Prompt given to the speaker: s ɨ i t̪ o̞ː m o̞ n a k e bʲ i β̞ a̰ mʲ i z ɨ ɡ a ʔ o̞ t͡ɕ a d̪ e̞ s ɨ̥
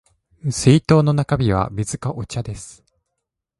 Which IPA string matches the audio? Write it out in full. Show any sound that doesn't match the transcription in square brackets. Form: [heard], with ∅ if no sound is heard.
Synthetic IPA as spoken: s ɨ i t̪ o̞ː [n] o̞ n a k [a] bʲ i β̞ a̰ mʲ i z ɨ [k] a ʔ o̞ t͡ɕ a d̪ e̞ s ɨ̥